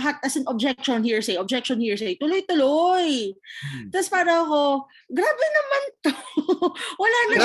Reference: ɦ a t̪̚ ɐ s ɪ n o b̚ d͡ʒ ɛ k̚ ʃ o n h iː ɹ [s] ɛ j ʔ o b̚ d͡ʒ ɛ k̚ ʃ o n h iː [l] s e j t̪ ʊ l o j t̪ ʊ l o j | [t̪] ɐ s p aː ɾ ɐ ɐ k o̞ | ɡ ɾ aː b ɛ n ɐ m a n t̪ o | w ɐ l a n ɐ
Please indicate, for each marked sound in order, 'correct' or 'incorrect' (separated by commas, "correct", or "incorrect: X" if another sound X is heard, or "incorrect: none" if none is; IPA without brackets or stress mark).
correct, incorrect: ɹ, correct